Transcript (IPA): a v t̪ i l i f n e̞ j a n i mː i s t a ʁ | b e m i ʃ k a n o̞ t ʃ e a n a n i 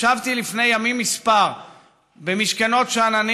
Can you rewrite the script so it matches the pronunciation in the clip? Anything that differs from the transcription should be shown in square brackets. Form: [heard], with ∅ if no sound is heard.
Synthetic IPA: a v t̪ i l i f n e̞ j a [m] i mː i s [p] a ʁ | b e m i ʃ k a n o̞ t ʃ e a n a n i